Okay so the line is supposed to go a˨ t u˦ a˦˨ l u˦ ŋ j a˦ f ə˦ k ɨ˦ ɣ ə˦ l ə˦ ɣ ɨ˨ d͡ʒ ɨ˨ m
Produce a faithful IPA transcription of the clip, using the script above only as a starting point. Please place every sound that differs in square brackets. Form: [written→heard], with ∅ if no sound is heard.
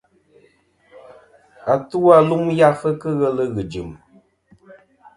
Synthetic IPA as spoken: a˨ t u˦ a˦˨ l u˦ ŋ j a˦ f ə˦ k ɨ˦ ɣ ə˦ l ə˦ ɣ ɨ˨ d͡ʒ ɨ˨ m